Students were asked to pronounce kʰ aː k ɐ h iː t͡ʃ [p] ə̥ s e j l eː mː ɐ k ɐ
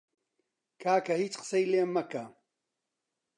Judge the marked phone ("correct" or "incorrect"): incorrect